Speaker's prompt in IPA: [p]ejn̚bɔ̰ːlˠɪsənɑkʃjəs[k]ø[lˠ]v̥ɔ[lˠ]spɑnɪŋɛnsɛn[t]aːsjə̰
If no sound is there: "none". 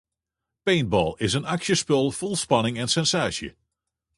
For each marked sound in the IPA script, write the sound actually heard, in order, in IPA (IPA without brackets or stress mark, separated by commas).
p, p, lˠ, lˠ, s